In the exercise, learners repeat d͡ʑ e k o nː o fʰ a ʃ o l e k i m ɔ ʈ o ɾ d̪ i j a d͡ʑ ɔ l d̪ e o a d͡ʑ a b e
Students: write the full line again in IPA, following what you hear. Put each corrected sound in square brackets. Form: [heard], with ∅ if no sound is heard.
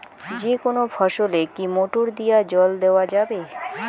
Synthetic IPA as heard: d͡ʑ e k o [n] o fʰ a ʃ o l e k i m [o] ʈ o ɾ d̪ i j a d͡ʑ ɔ l d̪ e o a d͡ʑ a b e